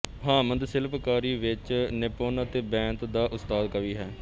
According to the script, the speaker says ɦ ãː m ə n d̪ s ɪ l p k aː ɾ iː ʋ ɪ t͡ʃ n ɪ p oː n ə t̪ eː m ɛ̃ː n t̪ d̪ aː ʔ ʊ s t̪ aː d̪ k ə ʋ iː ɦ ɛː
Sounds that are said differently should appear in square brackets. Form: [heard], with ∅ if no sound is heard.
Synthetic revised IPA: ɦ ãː m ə n d̪ s ɪ l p k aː ɾ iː ʋ ɪ t͡ʃ n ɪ p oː n ə t̪ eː [b] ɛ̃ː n t̪ d̪ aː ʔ ʊ s t̪ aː d̪ k ə ʋ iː ɦ ɛː